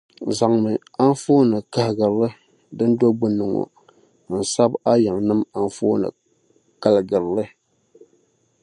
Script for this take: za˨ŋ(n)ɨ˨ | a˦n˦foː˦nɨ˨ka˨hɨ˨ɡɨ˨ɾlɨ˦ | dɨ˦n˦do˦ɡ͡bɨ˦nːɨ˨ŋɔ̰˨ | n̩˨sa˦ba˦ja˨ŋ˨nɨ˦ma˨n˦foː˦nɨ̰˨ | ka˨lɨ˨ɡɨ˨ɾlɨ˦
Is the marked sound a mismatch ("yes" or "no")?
yes